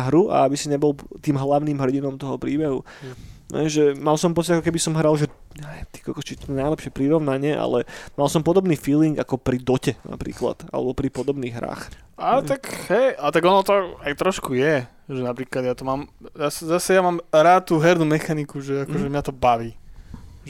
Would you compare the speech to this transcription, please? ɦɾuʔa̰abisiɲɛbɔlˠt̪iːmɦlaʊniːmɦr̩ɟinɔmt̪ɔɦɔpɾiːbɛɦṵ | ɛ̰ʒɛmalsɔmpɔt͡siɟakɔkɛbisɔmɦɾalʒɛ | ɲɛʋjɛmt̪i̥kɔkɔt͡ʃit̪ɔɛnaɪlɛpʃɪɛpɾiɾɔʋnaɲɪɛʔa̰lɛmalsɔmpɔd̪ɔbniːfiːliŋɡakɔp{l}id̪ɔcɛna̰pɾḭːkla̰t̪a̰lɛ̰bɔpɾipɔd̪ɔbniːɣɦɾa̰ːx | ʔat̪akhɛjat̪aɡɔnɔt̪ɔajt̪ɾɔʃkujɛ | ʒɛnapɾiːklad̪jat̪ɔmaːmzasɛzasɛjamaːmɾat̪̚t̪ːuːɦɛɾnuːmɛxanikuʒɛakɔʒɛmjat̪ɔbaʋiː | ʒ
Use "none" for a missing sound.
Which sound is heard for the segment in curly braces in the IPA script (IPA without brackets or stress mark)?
ɾ